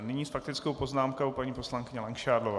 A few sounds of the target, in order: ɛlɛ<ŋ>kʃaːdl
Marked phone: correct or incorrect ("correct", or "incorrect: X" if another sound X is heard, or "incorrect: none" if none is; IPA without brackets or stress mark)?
correct